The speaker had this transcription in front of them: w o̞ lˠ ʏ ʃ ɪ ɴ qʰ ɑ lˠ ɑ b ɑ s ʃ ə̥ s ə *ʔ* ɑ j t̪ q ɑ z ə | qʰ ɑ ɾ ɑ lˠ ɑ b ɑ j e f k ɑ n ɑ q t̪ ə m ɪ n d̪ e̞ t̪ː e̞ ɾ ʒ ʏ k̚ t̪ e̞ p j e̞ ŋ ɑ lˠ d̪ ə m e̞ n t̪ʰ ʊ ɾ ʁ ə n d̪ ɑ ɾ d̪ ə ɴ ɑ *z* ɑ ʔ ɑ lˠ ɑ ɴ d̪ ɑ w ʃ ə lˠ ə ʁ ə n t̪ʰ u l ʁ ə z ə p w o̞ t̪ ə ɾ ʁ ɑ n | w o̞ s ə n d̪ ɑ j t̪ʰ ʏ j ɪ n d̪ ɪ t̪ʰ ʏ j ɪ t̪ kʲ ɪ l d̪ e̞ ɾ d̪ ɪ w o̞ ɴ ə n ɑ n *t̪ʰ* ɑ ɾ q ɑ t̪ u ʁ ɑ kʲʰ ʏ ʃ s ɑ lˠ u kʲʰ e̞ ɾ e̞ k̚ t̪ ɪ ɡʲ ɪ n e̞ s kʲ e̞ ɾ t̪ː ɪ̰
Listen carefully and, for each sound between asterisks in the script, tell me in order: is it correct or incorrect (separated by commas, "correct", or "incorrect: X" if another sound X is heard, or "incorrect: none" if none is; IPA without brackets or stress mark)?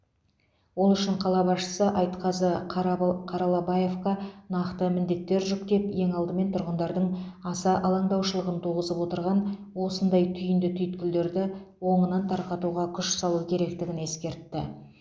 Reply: correct, incorrect: s, correct